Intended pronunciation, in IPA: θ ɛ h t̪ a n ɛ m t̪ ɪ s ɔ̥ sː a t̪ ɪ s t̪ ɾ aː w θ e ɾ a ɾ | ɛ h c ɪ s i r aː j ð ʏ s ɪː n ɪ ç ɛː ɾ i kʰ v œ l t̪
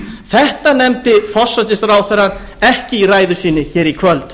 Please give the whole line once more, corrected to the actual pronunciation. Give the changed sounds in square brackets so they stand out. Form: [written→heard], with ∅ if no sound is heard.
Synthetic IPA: θ ɛ h t̪ a n ɛ m t̪ ɪ [s→f] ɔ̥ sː a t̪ ɪ s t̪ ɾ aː w θ [e→ɛ] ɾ a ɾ | ɛ h c ɪ [s→∅] i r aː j ð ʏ s [ɪː→iː] n ɪ ç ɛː ɾ i kʰ v œ l t̪